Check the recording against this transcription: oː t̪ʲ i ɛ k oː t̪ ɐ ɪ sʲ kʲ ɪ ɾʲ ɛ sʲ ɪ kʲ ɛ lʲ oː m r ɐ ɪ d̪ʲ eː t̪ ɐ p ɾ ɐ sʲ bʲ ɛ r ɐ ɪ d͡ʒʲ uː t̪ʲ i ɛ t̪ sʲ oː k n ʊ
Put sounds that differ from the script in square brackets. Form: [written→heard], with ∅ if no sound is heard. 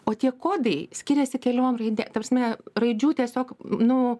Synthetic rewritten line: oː t̪ʲ i ɛ k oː [t̪→d̪] ɐ ɪ sʲ kʲ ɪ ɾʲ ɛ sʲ ɪ kʲ ɛ lʲ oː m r ɐ ɪ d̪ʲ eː t̪ ɐ p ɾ ɐ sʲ [bʲ→mʲ] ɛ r ɐ ɪ d͡ʒʲ uː t̪ʲ i ɛ [t̪→∅] sʲ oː k n ʊ